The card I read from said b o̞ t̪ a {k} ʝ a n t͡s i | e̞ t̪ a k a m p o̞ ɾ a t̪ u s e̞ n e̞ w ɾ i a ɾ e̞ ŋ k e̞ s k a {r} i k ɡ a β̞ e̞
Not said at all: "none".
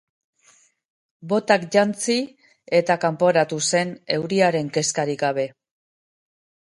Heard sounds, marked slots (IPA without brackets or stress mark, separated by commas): k, ɾ